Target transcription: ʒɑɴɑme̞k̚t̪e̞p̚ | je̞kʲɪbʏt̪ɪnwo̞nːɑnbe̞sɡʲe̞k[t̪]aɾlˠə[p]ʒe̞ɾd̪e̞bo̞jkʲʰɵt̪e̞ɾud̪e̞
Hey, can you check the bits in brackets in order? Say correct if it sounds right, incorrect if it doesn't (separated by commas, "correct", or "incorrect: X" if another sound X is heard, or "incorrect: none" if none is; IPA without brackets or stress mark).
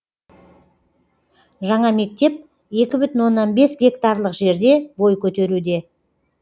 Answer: correct, incorrect: q